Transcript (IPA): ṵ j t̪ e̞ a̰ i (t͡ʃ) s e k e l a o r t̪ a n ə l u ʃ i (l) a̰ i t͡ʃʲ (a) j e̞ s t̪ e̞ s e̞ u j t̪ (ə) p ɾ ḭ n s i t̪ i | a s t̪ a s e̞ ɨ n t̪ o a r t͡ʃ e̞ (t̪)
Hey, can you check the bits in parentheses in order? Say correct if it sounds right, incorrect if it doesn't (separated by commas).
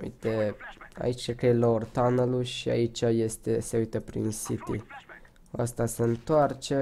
correct, incorrect, correct, correct, incorrect